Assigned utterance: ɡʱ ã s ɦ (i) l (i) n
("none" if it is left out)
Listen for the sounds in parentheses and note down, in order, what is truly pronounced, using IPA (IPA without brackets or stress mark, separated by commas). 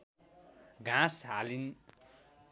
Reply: a, i